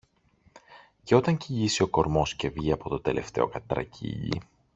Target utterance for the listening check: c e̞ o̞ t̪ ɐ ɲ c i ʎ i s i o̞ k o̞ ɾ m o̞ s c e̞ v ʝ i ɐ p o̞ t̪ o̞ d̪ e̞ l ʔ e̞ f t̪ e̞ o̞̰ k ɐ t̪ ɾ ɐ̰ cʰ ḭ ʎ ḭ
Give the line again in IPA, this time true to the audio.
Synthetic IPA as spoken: c e̞ o̞ t̪ ɐ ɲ c i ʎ i s i o̞ k o̞ ɾ m o̞ s c e̞ v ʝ i ɐ p o̞ t̪ o̞ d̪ e̞ l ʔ e̞ f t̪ e̞ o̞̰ k ɐ t̪ ɾ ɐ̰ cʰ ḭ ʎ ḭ